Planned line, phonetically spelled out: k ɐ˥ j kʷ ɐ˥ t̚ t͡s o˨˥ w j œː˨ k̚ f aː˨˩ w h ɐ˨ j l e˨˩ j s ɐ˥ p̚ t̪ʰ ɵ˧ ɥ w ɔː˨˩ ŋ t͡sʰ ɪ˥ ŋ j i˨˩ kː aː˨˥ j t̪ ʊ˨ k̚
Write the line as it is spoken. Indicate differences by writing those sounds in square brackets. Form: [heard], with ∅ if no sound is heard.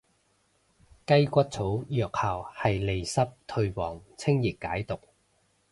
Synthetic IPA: k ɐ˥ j kʷ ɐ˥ t̚ [t͡sʰ] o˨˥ w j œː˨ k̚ [h] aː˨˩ w h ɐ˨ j l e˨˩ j s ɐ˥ p̚ t̪ʰ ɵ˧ ɥ w ɔː˨˩ ŋ t͡sʰ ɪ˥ ŋ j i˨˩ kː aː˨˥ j t̪ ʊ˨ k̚

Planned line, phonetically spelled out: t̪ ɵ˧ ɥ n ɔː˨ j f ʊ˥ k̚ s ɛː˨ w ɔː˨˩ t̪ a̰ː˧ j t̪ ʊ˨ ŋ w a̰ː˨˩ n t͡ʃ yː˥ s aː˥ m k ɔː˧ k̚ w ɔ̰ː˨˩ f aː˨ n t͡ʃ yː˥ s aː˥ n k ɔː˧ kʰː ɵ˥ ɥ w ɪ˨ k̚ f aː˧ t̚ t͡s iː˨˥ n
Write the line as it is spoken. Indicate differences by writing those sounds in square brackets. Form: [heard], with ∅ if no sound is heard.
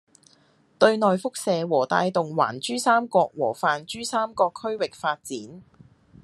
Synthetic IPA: t̪ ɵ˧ ɥ n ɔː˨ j f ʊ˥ k̚ s ɛː˨ w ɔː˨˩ t̪ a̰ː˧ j t̪ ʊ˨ ŋ w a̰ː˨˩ n t͡ʃ yː˥ s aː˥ m k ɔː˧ k̚ w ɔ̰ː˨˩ f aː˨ n t͡ʃ yː˥ s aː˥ [m] k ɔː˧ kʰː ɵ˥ ɥ w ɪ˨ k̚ f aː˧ t̚ t͡s iː˨˥ n

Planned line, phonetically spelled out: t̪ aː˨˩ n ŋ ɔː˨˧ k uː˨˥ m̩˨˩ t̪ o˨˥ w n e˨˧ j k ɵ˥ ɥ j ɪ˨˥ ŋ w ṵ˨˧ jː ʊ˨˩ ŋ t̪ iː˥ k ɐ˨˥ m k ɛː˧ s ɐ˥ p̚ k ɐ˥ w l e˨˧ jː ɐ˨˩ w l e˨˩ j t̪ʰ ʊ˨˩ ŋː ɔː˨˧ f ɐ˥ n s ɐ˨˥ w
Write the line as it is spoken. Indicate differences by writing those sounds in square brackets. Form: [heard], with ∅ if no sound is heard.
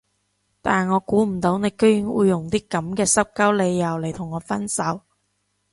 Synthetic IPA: t̪ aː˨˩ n ŋ ɔː˨˧ k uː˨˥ m̩˨˩ t̪ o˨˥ w n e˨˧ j k ɵ˥ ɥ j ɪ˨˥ ŋ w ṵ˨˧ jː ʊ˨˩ ŋ t̪ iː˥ k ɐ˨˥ m k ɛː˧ s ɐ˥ p̚ k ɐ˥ w l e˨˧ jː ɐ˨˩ w l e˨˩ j t̪ʰ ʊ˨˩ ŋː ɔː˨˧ f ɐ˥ n s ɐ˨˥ w

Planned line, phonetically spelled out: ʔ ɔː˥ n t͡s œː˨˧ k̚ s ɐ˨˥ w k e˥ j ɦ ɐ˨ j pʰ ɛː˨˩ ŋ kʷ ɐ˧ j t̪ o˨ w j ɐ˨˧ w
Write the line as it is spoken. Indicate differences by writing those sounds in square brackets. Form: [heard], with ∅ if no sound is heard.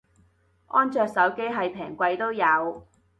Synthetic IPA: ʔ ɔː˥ n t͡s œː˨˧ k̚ s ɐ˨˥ w k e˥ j ɦ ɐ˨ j pʰ ɛː˨˩ ŋ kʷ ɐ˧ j t̪ [o˥] w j ɐ˨˧ w

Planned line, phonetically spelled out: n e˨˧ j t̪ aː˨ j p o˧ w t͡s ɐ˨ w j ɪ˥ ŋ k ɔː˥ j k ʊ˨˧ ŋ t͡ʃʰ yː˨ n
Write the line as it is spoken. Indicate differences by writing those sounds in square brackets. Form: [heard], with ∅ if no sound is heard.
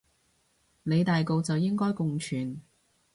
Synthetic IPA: n e˨˧ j t̪ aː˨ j [k] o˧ w t͡s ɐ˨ w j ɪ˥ ŋ k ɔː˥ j k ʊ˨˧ ŋ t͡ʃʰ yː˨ n

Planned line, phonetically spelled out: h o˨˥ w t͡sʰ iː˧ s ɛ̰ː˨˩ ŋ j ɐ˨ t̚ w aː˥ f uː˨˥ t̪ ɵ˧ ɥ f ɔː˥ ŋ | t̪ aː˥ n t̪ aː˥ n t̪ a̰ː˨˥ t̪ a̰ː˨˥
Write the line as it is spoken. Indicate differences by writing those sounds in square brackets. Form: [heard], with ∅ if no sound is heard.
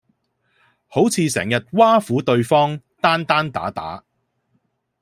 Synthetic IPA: h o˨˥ w t͡sʰ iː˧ s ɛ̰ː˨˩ ŋ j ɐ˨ t̚ w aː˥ f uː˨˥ t̪ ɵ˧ ɥ f ɔː˥ ŋ | t̪ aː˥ n t̪ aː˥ n t̪ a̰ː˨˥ t̪ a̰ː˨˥

